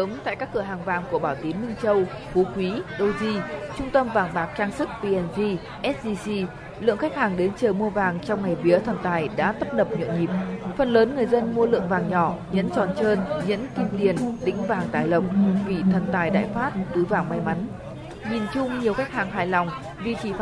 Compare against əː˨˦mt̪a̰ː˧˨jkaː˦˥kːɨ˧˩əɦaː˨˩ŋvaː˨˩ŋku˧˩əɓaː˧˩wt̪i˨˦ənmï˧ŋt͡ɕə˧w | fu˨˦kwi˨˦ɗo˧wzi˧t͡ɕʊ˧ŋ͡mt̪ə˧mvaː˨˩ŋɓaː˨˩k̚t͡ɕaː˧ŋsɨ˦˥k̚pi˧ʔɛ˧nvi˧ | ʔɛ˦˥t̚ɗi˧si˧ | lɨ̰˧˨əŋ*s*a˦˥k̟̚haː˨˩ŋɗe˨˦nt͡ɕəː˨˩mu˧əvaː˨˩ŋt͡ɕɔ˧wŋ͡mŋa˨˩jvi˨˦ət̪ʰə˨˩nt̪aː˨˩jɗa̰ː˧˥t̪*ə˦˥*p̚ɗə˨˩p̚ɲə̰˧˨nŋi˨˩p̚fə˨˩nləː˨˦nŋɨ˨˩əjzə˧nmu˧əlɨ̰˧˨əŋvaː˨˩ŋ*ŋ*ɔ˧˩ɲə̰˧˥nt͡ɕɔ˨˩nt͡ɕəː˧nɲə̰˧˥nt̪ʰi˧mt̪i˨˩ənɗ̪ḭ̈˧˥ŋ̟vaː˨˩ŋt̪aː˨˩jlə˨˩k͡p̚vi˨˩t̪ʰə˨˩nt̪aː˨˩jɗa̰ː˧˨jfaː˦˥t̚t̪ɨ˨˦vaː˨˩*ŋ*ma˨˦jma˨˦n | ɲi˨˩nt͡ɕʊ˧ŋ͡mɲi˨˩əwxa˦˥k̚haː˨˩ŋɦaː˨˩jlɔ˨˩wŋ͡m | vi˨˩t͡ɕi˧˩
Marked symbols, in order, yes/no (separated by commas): no, yes, no, yes